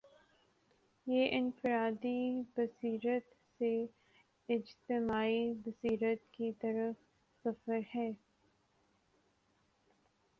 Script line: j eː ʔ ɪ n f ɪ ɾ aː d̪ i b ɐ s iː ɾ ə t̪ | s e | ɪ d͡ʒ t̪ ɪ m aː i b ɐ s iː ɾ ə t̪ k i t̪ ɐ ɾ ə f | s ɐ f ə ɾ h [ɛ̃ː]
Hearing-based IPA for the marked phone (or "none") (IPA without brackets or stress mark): ɛː